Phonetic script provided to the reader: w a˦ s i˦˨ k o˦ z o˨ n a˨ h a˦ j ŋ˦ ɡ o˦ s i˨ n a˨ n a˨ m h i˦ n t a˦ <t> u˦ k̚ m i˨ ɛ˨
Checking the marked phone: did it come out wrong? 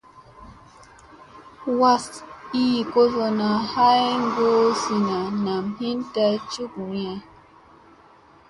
yes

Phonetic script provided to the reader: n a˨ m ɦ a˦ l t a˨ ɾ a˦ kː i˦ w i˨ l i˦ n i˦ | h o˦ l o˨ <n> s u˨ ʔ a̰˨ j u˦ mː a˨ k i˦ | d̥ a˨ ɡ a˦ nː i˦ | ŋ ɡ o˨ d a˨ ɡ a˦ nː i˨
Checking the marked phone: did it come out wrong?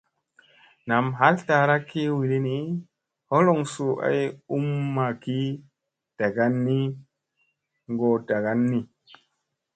yes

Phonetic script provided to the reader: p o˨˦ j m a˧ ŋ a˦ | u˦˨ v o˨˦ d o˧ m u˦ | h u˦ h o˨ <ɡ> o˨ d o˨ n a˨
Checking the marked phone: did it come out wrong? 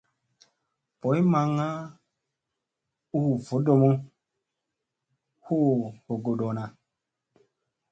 no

